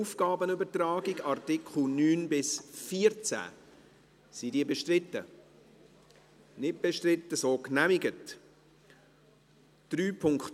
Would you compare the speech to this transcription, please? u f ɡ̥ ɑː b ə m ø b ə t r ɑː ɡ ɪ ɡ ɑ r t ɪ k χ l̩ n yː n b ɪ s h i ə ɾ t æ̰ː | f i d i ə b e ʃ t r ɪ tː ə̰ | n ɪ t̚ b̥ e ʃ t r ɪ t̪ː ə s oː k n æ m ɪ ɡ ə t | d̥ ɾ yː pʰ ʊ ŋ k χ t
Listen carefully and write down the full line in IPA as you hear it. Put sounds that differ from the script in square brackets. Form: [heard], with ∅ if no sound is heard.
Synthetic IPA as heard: u f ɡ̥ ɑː b ə [n] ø b ə t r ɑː ɡ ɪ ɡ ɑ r t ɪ k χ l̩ n yː n b ɪ s [f] i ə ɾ [t͡s] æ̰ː | [s] i d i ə b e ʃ t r ɪ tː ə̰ | n ɪ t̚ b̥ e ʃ t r ɪ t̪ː ə s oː k n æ m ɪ ɡ ə t | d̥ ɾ yː pʰ ʊ ŋ k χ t